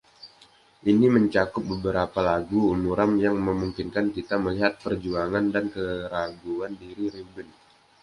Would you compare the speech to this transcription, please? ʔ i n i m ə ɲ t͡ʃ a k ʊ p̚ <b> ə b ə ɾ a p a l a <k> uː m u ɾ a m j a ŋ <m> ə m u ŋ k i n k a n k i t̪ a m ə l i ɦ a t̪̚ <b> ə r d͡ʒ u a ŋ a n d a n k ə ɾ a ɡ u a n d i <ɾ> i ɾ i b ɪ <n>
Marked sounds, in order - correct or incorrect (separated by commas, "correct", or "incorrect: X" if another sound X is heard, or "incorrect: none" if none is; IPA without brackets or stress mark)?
correct, incorrect: ɡ, correct, incorrect: p, correct, correct